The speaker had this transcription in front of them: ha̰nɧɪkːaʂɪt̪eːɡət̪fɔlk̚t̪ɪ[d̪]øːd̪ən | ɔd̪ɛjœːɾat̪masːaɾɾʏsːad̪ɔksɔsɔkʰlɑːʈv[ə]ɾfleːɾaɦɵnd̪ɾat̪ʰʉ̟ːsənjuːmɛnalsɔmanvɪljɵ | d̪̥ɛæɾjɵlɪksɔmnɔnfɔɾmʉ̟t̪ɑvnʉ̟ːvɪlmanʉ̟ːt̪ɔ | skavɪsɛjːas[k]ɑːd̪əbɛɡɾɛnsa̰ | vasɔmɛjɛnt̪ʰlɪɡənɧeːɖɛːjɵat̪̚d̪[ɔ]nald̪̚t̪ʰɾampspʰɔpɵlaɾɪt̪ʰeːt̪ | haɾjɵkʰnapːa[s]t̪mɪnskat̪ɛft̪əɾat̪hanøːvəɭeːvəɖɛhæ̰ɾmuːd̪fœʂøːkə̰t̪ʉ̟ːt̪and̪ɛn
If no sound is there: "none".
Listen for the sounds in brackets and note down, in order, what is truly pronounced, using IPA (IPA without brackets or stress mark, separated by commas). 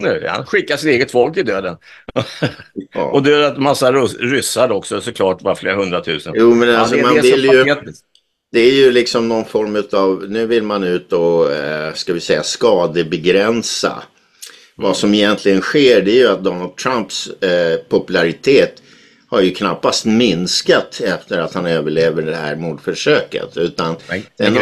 d̪, a, k, ɔ, s